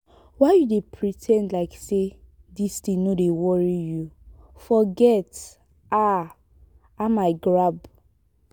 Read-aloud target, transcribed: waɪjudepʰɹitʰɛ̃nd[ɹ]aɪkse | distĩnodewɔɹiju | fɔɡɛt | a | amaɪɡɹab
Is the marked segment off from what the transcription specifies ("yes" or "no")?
yes